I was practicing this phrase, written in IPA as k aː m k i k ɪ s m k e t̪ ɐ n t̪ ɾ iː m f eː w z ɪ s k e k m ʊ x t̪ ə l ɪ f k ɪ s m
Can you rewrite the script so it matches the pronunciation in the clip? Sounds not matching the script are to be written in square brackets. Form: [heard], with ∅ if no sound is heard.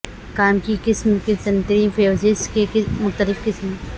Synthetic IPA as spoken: k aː m k i k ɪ s m k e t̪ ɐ n t̪ ɾ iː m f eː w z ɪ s k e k m ʊ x t̪ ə l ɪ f k ɪ s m